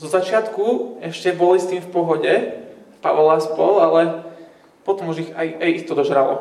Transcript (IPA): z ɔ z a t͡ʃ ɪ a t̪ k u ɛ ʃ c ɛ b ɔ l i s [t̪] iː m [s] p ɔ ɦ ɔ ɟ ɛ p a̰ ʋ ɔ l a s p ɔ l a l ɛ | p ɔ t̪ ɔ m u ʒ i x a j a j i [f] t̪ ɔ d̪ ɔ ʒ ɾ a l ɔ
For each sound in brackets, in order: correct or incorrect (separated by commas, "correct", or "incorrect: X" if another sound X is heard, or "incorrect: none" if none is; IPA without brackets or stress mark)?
correct, incorrect: f, incorrect: x